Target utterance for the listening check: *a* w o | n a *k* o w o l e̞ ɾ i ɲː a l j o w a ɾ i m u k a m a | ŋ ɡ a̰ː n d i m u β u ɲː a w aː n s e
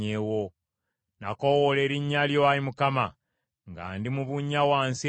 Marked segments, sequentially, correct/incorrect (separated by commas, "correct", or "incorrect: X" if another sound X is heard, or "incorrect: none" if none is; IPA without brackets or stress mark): incorrect: e, correct